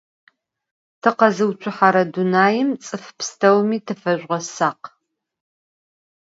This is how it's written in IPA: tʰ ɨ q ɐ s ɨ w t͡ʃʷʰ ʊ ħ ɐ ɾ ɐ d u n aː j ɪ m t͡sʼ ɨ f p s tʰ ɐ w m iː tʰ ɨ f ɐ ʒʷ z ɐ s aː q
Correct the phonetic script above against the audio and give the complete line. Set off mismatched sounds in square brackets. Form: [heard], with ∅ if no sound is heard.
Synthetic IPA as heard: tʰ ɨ q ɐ [z] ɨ w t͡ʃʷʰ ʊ ħ [a] ɾ ɐ d u n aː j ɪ m t͡sʼ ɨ f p s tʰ ɐ w m iː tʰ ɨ f ɐ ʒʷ [ʁ] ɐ s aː q